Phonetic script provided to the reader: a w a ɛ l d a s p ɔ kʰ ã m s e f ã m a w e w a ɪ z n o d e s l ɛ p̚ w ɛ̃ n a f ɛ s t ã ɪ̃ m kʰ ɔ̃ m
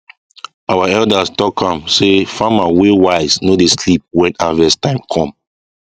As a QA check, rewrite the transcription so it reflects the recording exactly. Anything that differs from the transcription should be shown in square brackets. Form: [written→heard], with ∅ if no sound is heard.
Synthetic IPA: a w a ɛ l d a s [p→t] ɔ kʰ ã m s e f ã m a w e w a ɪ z n o d e s l [ɛ→i] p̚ w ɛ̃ n a [f→v] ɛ s t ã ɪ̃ m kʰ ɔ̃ m

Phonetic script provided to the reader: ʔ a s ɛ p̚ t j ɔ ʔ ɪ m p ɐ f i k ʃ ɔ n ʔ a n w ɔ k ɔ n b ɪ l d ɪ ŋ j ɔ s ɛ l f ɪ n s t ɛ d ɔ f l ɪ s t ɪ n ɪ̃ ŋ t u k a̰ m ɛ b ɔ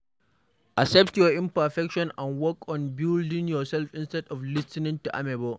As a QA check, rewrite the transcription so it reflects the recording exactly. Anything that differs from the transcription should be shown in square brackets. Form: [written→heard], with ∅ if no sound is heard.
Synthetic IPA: ʔ a s ɛ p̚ t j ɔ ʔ ɪ m p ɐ f [i→ɛ] k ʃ ɔ n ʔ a n w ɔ k ɔ n b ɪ l d ɪ ŋ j ɔ s ɛ l f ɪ n s t ɛ d ɔ f l ɪ s t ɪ n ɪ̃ ŋ t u [k→ʔ] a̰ m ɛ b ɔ

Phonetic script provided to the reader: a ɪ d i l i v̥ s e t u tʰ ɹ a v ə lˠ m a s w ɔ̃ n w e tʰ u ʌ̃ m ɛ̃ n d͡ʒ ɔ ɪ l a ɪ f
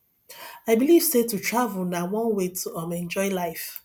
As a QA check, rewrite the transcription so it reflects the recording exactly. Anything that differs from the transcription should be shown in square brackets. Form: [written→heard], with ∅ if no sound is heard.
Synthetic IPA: a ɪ [d→b] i l i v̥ s e t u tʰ ɹ a v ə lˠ [m→n] a [s→∅] w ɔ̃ n w e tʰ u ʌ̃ m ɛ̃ n d͡ʒ ɔ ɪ l a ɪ f

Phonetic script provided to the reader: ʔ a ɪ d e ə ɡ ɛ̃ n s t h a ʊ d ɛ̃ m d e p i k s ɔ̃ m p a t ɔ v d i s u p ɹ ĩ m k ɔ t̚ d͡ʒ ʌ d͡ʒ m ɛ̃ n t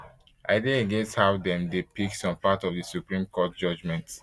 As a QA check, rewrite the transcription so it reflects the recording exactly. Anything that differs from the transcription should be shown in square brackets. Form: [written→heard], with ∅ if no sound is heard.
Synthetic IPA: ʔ a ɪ d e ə ɡ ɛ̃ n s t h a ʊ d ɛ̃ m d e p i k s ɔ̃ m p a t ɔ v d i s u p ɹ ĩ m k ɔ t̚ d͡ʒ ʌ d͡ʒ m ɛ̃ n t

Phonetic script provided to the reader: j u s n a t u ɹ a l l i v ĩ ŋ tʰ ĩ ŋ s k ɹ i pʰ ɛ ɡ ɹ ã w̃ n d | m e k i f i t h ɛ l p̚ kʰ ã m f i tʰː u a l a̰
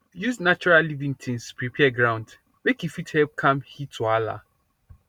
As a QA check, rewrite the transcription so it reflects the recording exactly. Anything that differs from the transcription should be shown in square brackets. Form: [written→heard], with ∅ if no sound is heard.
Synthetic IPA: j u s n a [t→t͡ʃ] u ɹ a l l i v ĩ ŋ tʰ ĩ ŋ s [k→p] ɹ i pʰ ɛ ɡ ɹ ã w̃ n d | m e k i f i t h ɛ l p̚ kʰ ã m [f→h] i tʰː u a l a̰

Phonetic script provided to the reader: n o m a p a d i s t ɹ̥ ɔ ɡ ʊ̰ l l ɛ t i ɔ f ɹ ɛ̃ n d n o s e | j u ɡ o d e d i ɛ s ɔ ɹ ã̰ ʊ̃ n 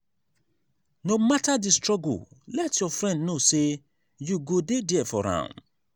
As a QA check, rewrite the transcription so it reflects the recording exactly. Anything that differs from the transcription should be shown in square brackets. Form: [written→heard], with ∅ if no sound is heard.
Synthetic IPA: n o m a [p→t] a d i s t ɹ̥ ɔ ɡ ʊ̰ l l ɛ t [i→j] ɔ f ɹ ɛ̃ n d n o s e | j u ɡ o d e d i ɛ [s→f] ɔ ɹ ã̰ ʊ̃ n

